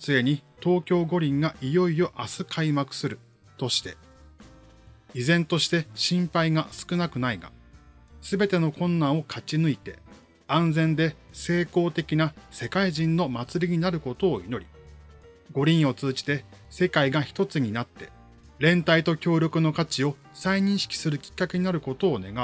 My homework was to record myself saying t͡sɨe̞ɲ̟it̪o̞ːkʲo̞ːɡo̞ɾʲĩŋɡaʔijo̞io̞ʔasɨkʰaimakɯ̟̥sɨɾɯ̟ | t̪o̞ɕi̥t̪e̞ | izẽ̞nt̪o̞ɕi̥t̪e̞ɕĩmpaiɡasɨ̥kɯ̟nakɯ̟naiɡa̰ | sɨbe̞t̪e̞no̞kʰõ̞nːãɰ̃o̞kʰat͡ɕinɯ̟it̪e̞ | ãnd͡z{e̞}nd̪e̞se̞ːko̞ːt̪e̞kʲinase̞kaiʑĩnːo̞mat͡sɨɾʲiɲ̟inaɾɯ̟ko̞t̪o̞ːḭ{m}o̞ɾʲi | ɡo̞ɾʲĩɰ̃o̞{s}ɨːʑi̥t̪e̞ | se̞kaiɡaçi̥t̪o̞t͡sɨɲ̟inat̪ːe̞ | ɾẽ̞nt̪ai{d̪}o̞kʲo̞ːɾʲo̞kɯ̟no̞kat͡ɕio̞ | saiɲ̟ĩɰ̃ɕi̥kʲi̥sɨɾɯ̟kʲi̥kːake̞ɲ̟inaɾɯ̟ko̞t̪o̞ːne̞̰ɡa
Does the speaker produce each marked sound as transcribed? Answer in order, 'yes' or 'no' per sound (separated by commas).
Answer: no, no, no, no